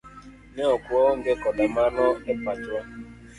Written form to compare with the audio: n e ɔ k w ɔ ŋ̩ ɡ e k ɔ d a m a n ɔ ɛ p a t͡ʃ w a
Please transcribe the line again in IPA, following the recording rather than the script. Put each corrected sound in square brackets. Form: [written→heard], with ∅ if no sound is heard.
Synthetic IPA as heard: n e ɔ k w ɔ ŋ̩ ɡ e k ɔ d a m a n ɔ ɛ p a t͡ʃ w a